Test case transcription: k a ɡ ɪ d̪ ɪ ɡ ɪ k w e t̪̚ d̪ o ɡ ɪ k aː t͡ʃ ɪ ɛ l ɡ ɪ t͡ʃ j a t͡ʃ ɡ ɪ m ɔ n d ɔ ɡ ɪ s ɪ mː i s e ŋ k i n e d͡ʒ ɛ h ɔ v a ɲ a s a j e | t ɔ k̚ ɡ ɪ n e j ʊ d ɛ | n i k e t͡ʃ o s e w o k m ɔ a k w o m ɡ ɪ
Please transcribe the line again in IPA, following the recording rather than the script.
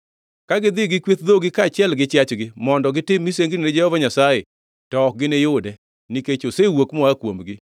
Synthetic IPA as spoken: k a ɡ ɪ d̪ ɪ ɡ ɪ k w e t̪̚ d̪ o ɡ ɪ k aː t͡ʃ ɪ ɛ l ɡ ɪ t͡ʃ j a t͡ʃ ɡ ɪ m ɔ n d ɔ ɡ ɪ t ɪ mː i s e ŋ ɡ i n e d͡ʒ ɛ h ɔ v a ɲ a s a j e | t ɔ k̚ ɡ ɪ n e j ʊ d ɛ | n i k e t͡ʃ o s e w o k m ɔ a k w o m ɡ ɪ